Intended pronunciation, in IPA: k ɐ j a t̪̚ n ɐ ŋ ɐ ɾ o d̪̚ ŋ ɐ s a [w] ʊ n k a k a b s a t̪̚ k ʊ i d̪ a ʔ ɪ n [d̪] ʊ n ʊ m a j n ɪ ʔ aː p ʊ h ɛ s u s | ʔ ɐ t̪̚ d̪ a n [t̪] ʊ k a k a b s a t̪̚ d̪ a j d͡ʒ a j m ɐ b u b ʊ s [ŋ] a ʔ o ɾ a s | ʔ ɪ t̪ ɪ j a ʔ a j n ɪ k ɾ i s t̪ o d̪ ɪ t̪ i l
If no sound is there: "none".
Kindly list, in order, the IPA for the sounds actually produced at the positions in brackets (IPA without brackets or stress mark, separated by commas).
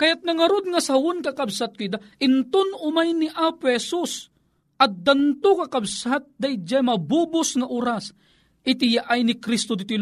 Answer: w, t̪, t̪, ŋ